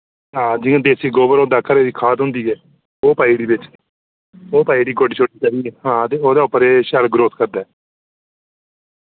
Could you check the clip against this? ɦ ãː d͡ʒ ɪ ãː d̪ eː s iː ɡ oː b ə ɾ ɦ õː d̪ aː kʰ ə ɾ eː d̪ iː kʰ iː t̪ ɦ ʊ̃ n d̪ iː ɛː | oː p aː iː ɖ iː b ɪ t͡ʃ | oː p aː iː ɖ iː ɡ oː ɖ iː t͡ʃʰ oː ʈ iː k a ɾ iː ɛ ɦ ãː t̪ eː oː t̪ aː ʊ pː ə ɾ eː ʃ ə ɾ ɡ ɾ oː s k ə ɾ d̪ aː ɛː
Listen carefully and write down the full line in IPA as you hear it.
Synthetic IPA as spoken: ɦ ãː d͡ʒ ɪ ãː d̪ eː s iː ɡ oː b ə ɾ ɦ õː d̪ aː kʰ ə ɾ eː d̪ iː kʰ aː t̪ ɦ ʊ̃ n d̪ iː ɛː | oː p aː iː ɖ iː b ɪ t͡ʃ | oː p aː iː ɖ iː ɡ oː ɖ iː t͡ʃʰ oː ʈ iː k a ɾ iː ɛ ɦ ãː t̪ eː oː d̪ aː ʊ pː ə ɾ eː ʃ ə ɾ ɡ ɾ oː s k ə ɾ d̪ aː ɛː